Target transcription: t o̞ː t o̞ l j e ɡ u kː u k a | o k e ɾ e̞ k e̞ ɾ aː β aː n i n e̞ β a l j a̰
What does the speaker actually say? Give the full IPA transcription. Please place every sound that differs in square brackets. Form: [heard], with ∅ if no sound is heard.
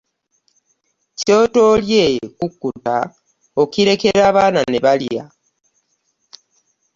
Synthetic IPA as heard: [c] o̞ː t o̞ l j e [k] u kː u [t] a | o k [i] ɾ e̞ k e̞ ɾ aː β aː n [a] n e̞ β a l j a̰

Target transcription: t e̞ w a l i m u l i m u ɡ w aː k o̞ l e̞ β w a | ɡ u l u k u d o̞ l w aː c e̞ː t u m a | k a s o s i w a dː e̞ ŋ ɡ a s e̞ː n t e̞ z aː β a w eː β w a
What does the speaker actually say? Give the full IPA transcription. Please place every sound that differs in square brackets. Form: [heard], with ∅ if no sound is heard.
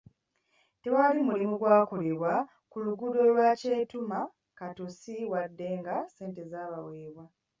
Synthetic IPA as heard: t e̞ w a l i m u l i m u ɡ w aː k o̞ l e̞ β w a | [k] u l u [ɡ] u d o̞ l w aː c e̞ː t u m a | k a [t] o s i w a dː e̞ ŋ ɡ a s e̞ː n t e̞ z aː β a w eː β w a

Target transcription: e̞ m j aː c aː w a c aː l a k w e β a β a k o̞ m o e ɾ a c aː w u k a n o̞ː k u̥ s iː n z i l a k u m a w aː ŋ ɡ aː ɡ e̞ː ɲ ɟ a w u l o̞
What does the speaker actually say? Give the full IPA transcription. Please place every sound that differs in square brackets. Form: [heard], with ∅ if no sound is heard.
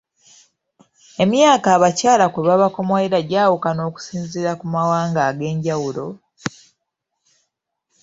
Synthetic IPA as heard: e̞ m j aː [k] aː [β] a c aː l a k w e β a β a k o̞ m o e ɾ a [ɟ] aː w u k a n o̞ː k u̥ s iː n z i [ɾ] a k u m a w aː ŋ ɡ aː ɡ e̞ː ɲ ɟ a w u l o̞

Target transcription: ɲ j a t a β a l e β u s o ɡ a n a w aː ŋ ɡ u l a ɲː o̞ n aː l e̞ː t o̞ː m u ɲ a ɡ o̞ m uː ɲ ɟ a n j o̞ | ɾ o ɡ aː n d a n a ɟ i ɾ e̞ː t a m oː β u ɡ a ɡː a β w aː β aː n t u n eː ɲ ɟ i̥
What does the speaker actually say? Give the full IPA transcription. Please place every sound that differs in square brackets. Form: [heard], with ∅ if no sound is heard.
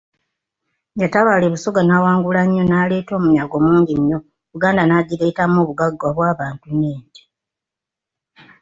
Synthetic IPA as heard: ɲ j a t a β a l e β u s o ɡ a n a w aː ŋ ɡ u l a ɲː o̞ n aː l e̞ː t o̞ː m u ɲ a ɡ o̞ m uː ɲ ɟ [i] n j o̞ | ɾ [u] ɡ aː n d a n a ɟ i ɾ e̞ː t a m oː β u ɡ a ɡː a β w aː β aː n t u n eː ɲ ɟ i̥

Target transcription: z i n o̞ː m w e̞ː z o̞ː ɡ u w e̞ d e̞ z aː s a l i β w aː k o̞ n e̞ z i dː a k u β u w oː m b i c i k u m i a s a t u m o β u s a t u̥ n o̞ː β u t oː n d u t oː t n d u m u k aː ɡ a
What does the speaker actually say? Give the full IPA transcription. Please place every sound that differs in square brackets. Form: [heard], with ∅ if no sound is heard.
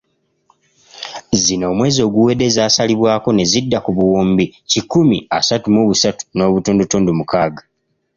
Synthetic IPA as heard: z i n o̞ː m w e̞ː z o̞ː ɡ u w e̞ d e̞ z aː s a l i β w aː k o̞ n e̞ z i dː a k u β u w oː m b i c i k u m i a s a t u m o β u s a t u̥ n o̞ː β u t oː n d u t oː [∅] n d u m u k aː ɡ a

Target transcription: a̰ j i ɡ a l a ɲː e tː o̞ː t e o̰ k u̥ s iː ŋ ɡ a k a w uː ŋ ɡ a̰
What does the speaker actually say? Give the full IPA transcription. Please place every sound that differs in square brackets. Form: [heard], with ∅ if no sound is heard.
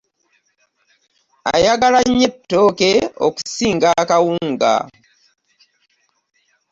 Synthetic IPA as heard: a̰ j [a] ɡ a l a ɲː e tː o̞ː [k] e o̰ k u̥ s iː ŋ ɡ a k a w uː ŋ ɡ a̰

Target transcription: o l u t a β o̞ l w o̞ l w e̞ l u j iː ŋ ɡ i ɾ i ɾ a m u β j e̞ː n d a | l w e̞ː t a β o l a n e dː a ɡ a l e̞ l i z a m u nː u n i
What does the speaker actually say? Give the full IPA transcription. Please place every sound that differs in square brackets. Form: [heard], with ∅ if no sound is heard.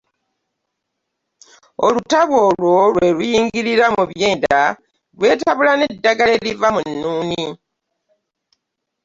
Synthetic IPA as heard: o l u t a β o̞ l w o̞ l w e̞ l u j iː ŋ ɡ i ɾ i ɾ a m u β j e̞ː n d a | l w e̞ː t a β [u] l a n e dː a ɡ a l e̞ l i [v] a m u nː [uː] n i

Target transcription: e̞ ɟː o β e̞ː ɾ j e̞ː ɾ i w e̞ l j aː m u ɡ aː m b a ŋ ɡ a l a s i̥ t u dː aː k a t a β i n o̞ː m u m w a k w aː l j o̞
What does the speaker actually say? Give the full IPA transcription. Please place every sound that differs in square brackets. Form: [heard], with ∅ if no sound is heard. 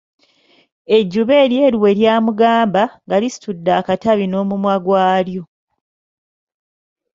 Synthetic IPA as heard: e̞ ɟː [u] β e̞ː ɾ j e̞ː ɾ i w e̞ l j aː m u ɡ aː m b a ŋ ɡ a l [i] s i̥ t u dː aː k a t a β i n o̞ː m u m w a [ɡ] w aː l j o̞

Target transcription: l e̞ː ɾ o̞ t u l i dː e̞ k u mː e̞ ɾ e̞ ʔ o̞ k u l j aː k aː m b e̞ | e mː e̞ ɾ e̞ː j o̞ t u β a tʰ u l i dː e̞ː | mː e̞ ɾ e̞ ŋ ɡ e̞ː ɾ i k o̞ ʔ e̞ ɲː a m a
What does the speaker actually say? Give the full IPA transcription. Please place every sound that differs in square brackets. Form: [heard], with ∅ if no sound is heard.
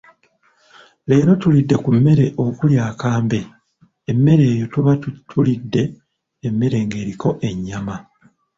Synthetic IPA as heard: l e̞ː ɾ o̞ t u l i dː e̞ k u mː e̞ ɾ e̞ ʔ o̞ k u l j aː k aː m b e̞ | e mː e̞ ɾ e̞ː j o̞ t u β a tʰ u l i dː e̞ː | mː e̞ ɾ e̞ ŋ ɡ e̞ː ɾ i k o̞ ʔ e̞ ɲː a m a

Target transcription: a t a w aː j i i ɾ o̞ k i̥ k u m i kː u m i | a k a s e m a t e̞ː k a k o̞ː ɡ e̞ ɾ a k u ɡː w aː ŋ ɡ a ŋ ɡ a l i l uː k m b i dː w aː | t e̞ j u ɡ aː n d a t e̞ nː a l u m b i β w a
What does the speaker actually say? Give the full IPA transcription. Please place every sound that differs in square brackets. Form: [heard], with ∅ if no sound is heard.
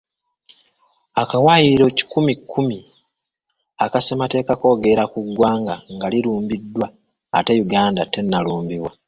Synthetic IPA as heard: a [k] a w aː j i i ɾ o̞ [c] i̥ k u m i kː u m i | a k a s e m a t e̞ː k a k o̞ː ɡ e̞ ɾ a k u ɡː w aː ŋ ɡ a ŋ ɡ a l i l uː [∅] m b i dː w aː | t e̞ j u ɡ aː n d a t e̞ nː a l [uː] m b i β w a

